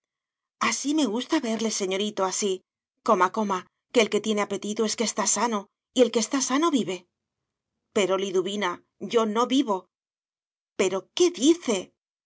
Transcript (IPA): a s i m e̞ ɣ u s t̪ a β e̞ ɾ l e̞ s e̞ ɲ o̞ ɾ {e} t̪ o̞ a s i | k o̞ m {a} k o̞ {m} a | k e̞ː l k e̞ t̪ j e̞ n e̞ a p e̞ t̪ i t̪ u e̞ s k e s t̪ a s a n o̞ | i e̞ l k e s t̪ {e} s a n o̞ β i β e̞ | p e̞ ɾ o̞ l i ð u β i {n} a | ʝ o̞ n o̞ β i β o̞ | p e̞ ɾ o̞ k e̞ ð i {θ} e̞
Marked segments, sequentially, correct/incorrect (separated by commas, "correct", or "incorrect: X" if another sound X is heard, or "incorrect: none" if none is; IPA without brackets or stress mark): incorrect: i, correct, correct, incorrect: a, correct, correct